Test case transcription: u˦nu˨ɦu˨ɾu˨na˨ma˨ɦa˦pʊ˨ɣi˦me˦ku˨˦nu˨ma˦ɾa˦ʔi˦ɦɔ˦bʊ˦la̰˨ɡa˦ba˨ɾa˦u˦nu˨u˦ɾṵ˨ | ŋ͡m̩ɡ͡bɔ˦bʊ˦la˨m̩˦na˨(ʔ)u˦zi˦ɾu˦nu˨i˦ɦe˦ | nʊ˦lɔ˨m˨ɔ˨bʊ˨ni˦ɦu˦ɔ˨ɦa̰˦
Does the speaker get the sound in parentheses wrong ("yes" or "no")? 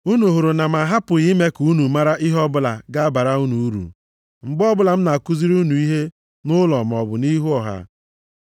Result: yes